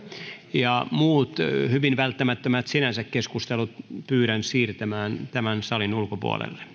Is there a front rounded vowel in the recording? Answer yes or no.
yes